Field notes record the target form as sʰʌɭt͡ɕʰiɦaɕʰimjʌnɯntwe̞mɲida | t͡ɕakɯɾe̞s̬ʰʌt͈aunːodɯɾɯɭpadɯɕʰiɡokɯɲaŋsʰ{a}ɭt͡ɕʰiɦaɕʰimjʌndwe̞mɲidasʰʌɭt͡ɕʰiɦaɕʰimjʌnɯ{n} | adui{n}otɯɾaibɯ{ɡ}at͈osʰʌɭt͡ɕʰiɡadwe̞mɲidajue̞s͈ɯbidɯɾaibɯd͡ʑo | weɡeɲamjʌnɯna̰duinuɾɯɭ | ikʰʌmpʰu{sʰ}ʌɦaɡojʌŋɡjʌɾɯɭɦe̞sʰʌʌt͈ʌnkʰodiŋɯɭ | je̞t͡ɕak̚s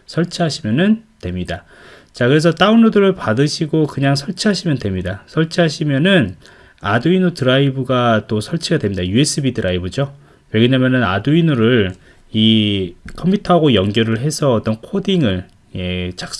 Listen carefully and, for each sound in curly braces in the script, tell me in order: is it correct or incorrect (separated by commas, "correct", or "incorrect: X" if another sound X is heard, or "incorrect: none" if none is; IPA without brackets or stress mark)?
incorrect: ʌ, correct, correct, correct, incorrect: tʰ